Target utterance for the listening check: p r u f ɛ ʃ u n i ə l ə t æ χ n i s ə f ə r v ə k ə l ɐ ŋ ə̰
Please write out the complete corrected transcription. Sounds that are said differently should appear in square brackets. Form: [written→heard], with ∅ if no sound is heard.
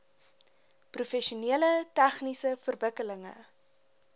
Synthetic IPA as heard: p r u f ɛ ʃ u n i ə l ə t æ χ n i s ə f ə r v ə k ə l [ɐ→ə] ŋ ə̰